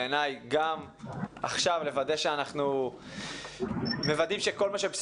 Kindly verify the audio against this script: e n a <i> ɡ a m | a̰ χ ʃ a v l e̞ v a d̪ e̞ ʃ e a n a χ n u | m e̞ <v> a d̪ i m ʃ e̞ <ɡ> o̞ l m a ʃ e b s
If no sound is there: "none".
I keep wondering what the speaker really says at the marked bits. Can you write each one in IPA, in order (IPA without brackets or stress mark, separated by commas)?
j, v, k